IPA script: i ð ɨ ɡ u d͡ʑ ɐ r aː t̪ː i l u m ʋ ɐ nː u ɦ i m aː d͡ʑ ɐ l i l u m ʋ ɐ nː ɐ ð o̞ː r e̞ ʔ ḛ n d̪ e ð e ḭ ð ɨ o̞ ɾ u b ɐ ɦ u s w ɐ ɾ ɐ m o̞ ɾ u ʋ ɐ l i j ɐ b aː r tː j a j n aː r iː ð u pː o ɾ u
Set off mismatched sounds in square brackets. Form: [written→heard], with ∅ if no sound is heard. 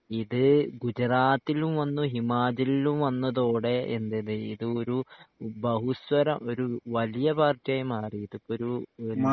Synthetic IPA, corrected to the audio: i ð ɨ ɡ u d͡ʑ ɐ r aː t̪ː i l u m ʋ ɐ nː u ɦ i m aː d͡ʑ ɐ l i l u m ʋ ɐ nː ɐ ð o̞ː [r→ɽ] e̞ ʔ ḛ n d̪ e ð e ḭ ð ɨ o̞ ɾ u b ɐ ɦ u s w ɐ ɾ ɐ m o̞ ɾ u ʋ ɐ l i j ɐ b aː r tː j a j [n→m] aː r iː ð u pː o ɾ u